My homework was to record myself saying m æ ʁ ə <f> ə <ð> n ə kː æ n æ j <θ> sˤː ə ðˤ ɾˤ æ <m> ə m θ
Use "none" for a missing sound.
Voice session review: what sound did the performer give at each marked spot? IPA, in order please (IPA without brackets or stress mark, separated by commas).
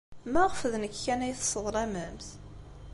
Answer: f, ð, θ, m